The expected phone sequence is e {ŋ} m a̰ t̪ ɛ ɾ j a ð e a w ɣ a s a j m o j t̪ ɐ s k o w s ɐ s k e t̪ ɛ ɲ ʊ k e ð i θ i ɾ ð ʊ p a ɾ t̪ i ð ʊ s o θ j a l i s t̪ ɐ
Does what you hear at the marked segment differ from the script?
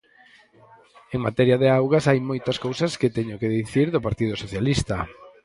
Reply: no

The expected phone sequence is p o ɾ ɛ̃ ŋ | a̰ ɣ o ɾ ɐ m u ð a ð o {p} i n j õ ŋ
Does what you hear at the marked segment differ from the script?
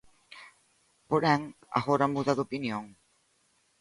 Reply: no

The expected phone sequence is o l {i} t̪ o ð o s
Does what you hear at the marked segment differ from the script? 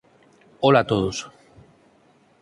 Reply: yes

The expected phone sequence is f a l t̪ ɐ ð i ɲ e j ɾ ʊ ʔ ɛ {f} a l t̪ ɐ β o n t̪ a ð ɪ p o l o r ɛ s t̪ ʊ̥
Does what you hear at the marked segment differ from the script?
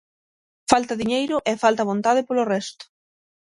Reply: no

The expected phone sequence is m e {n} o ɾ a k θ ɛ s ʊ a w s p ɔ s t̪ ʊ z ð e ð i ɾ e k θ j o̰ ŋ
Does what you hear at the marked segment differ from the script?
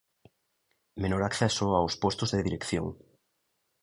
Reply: no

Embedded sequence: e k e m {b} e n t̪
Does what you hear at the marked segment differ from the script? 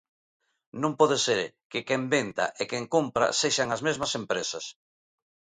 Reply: no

